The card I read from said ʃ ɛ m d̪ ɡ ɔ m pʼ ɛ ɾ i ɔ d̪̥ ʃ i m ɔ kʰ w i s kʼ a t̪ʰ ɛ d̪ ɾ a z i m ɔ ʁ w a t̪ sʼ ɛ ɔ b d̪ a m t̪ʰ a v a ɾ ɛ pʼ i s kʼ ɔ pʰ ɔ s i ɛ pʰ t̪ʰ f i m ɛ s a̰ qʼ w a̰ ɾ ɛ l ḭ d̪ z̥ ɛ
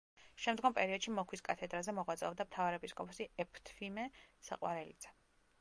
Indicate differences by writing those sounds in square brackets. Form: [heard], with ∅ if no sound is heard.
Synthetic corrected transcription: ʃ ɛ m d̪ ɡ ɔ m pʼ ɛ ɾ i ɔ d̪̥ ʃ i m ɔ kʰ w i s kʼ a t̪ʰ ɛ d̪ ɾ a z [ɛ] m ɔ ʁ w a t̪ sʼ ɛ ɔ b d̪ a m t̪ʰ a v a ɾ ɛ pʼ i s kʼ ɔ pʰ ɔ s i ɛ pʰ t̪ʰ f i m ɛ s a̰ qʼ w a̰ ɾ ɛ l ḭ d̪ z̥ ɛ

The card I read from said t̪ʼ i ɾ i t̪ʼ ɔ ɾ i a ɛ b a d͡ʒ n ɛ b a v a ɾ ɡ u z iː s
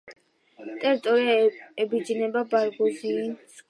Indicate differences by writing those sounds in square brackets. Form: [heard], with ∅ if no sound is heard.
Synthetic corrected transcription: t̪ʼ [ɛ] ɾ i t̪ʼ ɔ ɾ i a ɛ b [i] d͡ʒ n ɛ b a [b] a ɾ ɡ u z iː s

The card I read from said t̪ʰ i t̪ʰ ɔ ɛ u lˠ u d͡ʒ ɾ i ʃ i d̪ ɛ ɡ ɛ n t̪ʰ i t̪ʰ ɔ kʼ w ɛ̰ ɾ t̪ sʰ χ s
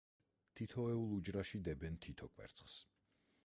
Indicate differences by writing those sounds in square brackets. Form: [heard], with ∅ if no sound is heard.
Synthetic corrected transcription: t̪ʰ i t̪ʰ ɔ ɛ u lˠ u d͡ʒ ɾ [a] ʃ i d̪ ɛ [b] ɛ n t̪ʰ i t̪ʰ ɔ kʼ w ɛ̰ ɾ t̪ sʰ χ s

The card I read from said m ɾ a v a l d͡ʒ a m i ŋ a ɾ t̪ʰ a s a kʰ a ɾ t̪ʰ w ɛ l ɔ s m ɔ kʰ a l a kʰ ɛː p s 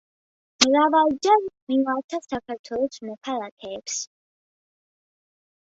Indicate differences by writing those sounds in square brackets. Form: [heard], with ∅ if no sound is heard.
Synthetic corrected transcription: m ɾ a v a l d͡ʒ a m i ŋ a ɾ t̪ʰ a s a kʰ a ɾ t̪ʰ w ɛ l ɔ s m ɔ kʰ a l a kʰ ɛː p s

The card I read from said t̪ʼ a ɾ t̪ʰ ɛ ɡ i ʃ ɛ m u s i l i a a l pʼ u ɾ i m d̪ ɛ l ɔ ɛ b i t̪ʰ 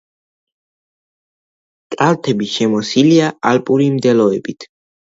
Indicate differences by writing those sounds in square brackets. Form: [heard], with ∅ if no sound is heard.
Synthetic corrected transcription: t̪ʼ a [l] t̪ʰ ɛ [b] i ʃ ɛ m [ɔ] s i l i a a l pʼ u ɾ i m d̪ ɛ l ɔ ɛ b i t̪ʰ

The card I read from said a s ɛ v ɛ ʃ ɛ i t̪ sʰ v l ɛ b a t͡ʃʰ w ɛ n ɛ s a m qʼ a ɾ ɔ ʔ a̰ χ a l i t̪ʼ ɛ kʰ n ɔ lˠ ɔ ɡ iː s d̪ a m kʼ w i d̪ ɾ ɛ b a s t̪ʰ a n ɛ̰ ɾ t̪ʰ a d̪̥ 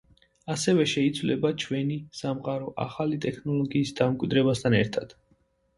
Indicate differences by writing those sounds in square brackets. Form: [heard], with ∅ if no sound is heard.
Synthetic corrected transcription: a s ɛ v ɛ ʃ ɛ i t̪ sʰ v l ɛ b a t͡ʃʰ w ɛ n [i] s a m qʼ a ɾ ɔ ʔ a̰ χ a l i t̪ʼ ɛ kʰ n ɔ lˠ ɔ ɡ iː s d̪ a m kʼ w i d̪ ɾ ɛ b a s t̪ʰ a n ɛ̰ ɾ t̪ʰ a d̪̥

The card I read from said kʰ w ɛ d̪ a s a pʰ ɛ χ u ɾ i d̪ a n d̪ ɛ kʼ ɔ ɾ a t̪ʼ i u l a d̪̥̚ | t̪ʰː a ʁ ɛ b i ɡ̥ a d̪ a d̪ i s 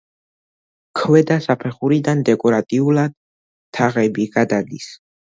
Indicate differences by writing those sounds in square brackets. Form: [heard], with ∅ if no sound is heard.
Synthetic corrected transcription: kʰ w ɛ d̪ a s a pʰ ɛ χ u ɾ i d̪ a n d̪ ɛ kʼ ɔ ɾ a t̪ʼ i u l a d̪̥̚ | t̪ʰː a ʁ ɛ b i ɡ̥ a d̪ a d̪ i s

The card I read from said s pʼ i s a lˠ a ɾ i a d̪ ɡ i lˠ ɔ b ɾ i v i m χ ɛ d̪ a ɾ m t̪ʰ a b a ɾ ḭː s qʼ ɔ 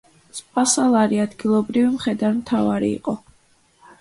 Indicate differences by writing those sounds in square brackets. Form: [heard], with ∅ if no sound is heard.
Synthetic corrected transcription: s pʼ [a] s a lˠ a ɾ i a d̪ ɡ i lˠ ɔ b ɾ i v i m χ ɛ d̪ a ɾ m t̪ʰ a [v] a ɾ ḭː [∅] qʼ ɔ

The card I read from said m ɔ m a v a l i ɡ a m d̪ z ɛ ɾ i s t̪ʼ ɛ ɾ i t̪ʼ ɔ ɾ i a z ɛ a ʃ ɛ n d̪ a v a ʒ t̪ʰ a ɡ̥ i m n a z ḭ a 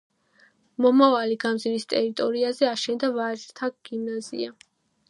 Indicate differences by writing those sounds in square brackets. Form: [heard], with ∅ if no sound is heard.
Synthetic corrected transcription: m ɔ m a v a l i ɡ a m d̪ z [i] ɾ i s t̪ʼ ɛ ɾ i t̪ʼ ɔ ɾ i a z ɛ a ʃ ɛ n d̪ a v a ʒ t̪ʰ a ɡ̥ i m n a z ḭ a

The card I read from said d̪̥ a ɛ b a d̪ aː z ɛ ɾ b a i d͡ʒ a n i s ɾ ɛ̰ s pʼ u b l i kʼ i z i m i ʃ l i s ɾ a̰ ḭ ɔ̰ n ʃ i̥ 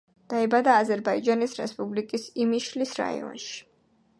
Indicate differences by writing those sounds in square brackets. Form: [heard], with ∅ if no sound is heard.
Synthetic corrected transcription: d̪̥ a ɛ b a d̪ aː z ɛ ɾ b a i d͡ʒ a n i s ɾ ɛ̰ s pʼ u b l i kʼ i [s] i m i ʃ l i s ɾ a̰ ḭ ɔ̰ n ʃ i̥

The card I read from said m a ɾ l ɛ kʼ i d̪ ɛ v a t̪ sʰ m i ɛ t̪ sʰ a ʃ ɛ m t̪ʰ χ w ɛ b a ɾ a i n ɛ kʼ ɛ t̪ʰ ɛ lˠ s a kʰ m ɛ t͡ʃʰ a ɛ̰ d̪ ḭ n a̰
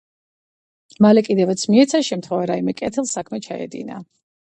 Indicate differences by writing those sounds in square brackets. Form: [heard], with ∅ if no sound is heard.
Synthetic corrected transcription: m a [∅] l ɛ kʼ i d̪ ɛ v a t̪ sʰ m i ɛ t̪ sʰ a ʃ ɛ m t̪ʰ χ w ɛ [v] a ɾ a i [m] ɛ kʼ ɛ t̪ʰ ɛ lˠ s a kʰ m ɛ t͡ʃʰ a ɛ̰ d̪ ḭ n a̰

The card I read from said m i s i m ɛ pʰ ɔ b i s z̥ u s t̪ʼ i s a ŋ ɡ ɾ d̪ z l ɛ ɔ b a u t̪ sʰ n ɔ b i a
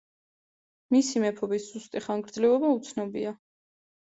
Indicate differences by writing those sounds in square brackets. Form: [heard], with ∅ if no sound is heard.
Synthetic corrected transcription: m i s i m ɛ pʰ ɔ b i s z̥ u s t̪ʼ i [χ] a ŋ ɡ ɾ d̪ z l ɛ ɔ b a u t̪ sʰ n ɔ b i a

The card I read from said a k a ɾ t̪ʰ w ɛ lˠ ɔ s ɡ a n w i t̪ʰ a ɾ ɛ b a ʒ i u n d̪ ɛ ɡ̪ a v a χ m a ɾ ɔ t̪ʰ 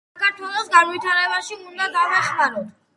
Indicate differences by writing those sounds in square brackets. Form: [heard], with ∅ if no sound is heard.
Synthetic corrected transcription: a k a ɾ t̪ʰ w ɛ lˠ ɔ s ɡ a n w i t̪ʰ a ɾ ɛ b a [ʃ] i u n d̪ [a] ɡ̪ a v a χ m a ɾ ɔ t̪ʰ

